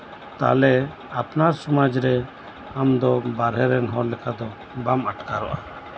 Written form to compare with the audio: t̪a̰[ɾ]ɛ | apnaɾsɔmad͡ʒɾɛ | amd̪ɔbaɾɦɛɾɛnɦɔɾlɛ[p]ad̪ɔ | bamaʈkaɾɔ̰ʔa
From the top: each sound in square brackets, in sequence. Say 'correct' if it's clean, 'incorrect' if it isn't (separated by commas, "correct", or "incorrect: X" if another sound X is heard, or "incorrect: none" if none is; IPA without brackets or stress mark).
incorrect: l, incorrect: k